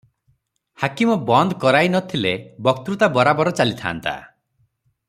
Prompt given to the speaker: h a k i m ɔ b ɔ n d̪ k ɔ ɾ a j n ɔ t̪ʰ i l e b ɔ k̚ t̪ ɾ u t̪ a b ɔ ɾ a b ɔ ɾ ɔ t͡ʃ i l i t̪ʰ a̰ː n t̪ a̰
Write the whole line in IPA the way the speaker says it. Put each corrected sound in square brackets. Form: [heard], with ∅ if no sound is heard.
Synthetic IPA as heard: h a k i m ɔ b ɔ n d̪ k ɔ ɾ a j n ɔ t̪ʰ i l e b ɔ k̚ t̪ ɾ u t̪ a b ɔ ɾ a b ɔ ɾ ɔ t͡ʃ [a] l i t̪ʰ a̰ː n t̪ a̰

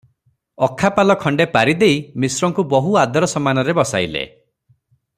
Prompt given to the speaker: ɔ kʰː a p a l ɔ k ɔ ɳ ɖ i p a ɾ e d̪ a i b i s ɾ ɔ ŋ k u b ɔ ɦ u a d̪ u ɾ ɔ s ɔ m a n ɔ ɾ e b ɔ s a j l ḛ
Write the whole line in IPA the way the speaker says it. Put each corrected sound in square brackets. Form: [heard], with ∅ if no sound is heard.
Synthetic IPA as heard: ɔ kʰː a p a l ɔ [kʰ] ɔ ɳ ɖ [e] p a ɾ [i] d̪ [e] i [m] i s ɾ ɔ ŋ k u b ɔ ɦ u a d̪ [ɔ] ɾ ɔ s ɔ m a n ɔ ɾ e b ɔ s a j l ḛ

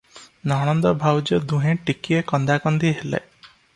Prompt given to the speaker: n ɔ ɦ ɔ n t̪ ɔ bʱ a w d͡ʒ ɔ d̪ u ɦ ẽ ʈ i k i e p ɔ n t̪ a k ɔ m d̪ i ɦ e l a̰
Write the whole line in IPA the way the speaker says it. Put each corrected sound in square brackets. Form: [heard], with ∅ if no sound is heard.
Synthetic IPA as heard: n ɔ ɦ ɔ n [d̪] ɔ bʱ a w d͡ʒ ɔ d̪ u ɦ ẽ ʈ i k i e [k] ɔ n [d̪] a k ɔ [n] d̪ i ɦ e l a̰

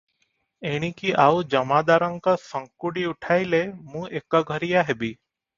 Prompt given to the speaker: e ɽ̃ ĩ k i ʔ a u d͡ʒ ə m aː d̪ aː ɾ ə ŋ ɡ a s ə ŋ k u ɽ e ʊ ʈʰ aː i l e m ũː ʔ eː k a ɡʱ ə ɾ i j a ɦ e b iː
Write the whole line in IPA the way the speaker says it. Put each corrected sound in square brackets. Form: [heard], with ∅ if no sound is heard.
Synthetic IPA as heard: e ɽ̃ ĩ k i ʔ a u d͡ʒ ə m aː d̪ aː ɾ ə ŋ [k] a s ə ŋ k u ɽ [i] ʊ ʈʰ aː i l e m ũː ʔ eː k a ɡʱ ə ɾ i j a ɦ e b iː

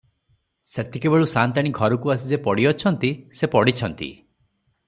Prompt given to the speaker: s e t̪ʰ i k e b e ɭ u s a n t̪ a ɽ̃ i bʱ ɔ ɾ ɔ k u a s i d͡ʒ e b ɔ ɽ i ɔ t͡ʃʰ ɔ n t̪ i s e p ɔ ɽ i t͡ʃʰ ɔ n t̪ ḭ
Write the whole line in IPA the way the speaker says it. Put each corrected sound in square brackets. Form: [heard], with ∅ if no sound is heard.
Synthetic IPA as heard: s e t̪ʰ i k e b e ɭ u s a n t̪ a ɽ̃ i [ɡʱ] ɔ ɾ ɔ k u a s i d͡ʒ e [p] ɔ ɽ i ɔ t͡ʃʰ ɔ n t̪ i s e p ɔ ɽ i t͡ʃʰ ɔ n t̪ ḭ

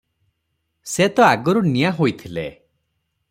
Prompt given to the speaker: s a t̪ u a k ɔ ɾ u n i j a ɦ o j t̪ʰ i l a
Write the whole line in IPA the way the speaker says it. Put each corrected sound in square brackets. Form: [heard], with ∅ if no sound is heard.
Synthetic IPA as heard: s [e] t̪ [ɔ] a [ɡ] ɔ ɾ u n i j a ɦ o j t̪ʰ i l [e]

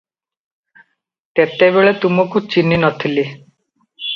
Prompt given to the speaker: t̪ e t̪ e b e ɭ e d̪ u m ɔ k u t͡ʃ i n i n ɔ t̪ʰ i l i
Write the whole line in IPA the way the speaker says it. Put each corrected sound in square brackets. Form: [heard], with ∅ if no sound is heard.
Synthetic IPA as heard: t̪ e t̪ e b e ɭ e [t̪] u m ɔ k u t͡ʃ i n i n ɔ t̪ʰ i l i

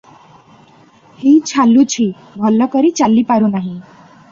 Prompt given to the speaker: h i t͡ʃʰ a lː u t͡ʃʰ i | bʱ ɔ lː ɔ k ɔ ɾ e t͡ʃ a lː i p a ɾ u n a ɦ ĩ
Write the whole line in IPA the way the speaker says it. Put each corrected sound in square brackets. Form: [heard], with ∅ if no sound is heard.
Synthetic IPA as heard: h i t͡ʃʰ a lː u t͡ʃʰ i | bʱ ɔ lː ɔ k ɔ ɾ [i] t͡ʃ a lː i p a ɾ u n a ɦ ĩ

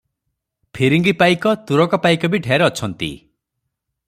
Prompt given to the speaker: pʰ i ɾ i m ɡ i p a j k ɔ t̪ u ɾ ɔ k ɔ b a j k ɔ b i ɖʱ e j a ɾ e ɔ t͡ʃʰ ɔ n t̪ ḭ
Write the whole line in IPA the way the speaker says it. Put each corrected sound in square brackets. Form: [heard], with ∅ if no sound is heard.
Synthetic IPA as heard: pʰ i ɾ i [ŋ] ɡ i p a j k ɔ t̪ u ɾ ɔ k ɔ [p] a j k ɔ b i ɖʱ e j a ɾ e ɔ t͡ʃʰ ɔ n t̪ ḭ

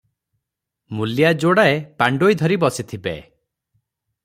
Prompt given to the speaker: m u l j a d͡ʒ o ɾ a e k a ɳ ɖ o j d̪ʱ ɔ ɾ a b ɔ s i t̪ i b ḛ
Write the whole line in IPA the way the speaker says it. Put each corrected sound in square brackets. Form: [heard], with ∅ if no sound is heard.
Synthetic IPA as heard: m u l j a d͡ʒ o [ɽ] a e [p] a ɳ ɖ o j d̪ʱ ɔ ɾ [i] b ɔ s i [t̪ʰ] i b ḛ

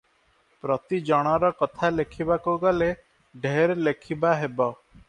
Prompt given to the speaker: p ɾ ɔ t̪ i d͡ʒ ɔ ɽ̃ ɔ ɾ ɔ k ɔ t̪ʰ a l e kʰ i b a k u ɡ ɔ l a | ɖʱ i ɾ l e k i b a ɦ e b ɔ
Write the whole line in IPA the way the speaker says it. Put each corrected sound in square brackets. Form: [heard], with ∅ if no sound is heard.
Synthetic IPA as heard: p ɾ ɔ t̪ i d͡ʒ ɔ ɽ̃ ɔ ɾ ɔ k ɔ t̪ʰ a l e kʰ i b a k u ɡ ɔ l [e] | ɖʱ [e] ɾ l e [kʰ] i b a ɦ e b ɔ

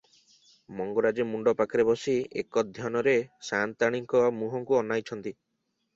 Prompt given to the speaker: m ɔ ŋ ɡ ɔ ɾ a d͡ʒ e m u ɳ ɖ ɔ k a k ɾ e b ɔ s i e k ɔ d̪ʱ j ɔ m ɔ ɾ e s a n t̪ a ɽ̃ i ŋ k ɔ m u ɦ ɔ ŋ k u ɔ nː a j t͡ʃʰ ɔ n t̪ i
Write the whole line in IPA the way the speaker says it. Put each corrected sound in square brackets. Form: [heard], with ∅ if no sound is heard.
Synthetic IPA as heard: m ɔ ŋ ɡ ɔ ɾ a d͡ʒ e m u ɳ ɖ ɔ [p] a k ɾ e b ɔ s i e k ɔ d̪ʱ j ɔ [n] ɔ ɾ e s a n t̪ a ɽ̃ i ŋ k ɔ m u ɦ ɔ ŋ k u ɔ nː a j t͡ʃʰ ɔ n t̪ i

